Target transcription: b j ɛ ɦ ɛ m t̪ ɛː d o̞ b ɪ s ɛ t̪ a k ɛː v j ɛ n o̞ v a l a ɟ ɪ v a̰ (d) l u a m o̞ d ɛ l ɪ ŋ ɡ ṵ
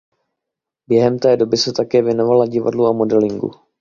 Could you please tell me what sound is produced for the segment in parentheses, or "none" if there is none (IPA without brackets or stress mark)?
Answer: d